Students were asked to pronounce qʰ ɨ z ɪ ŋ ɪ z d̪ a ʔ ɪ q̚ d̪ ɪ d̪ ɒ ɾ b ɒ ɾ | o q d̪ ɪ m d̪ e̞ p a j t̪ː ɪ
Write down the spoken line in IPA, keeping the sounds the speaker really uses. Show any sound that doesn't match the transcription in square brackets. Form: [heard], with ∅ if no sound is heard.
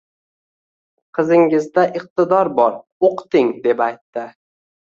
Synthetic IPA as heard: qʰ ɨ z ɪ ŋ ɪ z d̪ a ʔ ɪ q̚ [t̪] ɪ d̪ ɒ ɾ b ɒ ɾ | o q [t̪] ɪ [ŋ] d̪ e̞ p a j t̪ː ɪ

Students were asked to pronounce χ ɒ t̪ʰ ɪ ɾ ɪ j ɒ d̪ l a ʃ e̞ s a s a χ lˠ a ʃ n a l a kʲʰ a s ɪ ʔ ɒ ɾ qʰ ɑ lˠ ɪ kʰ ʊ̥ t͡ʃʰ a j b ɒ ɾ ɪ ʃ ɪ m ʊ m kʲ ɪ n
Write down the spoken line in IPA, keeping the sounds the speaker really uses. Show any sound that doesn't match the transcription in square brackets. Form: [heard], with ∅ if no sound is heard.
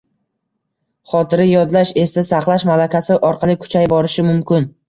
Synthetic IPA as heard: χ ɒ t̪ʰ ɪ ɾ ɪ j ɒ d̪ l a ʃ e̞ s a s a χ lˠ a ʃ [m] a l a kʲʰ a s ɪ ʔ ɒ ɾ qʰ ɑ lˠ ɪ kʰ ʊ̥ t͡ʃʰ a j b ɒ ɾ ɪ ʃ ɪ m ʊ m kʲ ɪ n

